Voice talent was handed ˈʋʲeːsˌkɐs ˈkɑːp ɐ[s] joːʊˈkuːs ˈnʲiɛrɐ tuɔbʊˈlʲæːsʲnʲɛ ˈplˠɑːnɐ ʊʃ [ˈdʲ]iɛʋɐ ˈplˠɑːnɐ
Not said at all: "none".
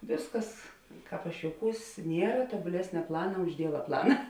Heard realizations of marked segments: ʃ, dʲ

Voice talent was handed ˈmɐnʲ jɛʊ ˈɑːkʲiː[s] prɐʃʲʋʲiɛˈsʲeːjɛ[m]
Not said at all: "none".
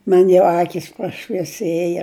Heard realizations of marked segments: s, none

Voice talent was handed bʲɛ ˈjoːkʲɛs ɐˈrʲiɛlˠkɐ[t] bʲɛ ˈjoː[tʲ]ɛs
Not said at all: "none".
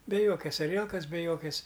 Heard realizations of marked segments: s, kʲ

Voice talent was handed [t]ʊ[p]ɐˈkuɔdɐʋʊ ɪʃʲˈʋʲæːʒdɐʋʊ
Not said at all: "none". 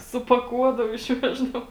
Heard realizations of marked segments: s, p

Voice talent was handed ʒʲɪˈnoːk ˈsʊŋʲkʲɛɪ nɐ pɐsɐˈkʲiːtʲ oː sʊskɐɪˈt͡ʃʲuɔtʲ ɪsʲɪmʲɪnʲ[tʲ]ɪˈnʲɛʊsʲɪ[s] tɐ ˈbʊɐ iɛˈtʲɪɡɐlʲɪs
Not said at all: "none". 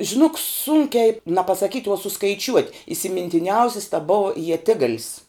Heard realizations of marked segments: tʲ, s

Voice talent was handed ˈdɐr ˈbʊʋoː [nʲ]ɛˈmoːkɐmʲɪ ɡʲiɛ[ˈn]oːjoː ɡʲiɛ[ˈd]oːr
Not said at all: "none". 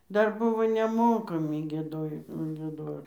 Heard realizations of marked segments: nʲ, d, d

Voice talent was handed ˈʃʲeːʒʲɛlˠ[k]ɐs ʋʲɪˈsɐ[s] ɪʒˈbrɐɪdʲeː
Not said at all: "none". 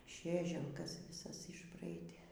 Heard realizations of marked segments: k, s

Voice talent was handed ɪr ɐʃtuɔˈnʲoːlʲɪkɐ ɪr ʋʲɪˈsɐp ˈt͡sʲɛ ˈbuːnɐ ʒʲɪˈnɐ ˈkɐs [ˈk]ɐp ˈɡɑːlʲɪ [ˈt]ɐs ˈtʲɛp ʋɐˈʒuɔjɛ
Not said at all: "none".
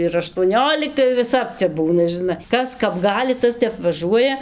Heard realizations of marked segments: k, t

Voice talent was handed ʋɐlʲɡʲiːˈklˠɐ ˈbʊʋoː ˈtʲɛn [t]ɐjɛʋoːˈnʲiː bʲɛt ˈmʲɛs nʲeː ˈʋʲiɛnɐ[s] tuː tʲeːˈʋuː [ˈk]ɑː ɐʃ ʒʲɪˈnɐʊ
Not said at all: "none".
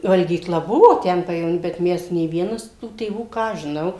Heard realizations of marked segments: p, s, k

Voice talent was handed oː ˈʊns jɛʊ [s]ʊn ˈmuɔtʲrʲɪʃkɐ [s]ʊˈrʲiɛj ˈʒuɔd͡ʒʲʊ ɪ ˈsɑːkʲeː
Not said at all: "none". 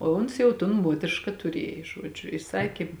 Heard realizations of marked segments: t, t

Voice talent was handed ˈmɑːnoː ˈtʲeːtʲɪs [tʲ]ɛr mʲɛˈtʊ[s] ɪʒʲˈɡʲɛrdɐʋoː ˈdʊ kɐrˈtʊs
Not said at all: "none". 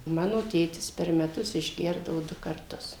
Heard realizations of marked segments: pʲ, s

